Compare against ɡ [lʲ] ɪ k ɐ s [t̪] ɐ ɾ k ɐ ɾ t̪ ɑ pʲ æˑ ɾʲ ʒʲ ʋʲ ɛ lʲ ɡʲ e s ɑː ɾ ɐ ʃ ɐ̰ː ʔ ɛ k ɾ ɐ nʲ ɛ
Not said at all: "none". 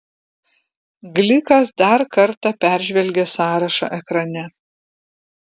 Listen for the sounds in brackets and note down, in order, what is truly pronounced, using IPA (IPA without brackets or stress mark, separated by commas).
lʲ, d̪